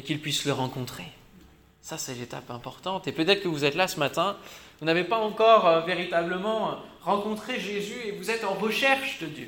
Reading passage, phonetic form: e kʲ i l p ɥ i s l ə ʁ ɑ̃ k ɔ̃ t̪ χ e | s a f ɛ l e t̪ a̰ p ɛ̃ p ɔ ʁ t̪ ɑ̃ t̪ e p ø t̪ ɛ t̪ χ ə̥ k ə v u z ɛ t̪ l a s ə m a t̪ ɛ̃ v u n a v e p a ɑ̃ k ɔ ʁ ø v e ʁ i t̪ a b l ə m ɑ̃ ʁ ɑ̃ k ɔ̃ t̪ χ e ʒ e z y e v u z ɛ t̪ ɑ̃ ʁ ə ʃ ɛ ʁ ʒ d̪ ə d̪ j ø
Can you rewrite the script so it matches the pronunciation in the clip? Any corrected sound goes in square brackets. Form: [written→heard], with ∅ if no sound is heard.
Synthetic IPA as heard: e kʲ i l p ɥ i s l ə ʁ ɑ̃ k ɔ̃ t̪ χ e | s a [f→s] ɛ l e t̪ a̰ p ɛ̃ p ɔ ʁ t̪ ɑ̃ t̪ e p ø t̪ ɛ t̪ χ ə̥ k ə v u z ɛ t̪ l a s ə m a t̪ ɛ̃ v u n a v e p a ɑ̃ k ɔ ʁ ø v e ʁ i t̪ a b l ə m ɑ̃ ʁ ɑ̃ k ɔ̃ t̪ χ e ʒ e z y e v u z ɛ t̪ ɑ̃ ʁ ə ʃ ɛ ʁ [ʒ→ʃ] d̪ ə d̪ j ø